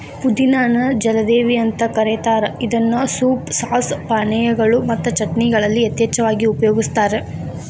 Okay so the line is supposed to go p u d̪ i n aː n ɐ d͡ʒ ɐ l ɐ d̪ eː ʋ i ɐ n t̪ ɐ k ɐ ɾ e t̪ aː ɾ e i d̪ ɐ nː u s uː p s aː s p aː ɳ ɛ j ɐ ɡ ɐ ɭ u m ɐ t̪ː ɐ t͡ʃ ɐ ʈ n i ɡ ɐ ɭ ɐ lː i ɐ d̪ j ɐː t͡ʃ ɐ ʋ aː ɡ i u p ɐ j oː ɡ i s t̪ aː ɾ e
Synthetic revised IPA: p u d̪ i n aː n ɐ d͡ʒ ɐ l ɐ d̪ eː ʋ i ɐ n t̪ ɐ k ɐ ɾ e t̪ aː ɾ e i d̪ ɐ nː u s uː p s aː s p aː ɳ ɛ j ɐ ɡ ɐ ɭ u m ɐ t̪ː ɐ t͡ʃ ɐ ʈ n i ɡ ɐ ɭ ɐ lː i ɐ t̪ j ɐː t͡ʃ ɐ ʋ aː ɡ i u p ɐ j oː ɡ i s t̪ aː ɾ e